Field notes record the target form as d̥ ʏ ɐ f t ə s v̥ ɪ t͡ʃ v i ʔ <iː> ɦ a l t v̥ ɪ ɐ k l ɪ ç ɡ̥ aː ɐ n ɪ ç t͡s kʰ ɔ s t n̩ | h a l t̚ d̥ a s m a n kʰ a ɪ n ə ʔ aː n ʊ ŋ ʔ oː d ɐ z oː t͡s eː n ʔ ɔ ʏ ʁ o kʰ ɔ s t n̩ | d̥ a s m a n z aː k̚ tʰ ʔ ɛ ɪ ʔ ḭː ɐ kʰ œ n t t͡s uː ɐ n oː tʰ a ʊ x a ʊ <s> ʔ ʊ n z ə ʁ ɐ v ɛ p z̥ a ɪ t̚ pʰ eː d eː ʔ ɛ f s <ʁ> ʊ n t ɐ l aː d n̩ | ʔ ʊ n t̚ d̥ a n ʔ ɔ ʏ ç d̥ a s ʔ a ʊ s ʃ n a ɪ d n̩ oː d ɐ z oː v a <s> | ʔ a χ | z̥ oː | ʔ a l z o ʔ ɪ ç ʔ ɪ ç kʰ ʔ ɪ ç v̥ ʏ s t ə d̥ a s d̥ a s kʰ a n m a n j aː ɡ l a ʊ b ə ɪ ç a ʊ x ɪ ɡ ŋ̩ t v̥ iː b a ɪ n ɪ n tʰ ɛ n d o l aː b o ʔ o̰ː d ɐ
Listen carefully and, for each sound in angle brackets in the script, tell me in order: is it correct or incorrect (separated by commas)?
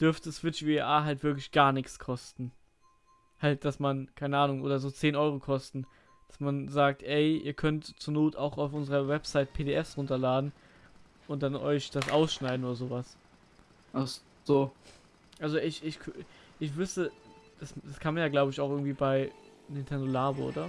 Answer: incorrect, incorrect, correct, correct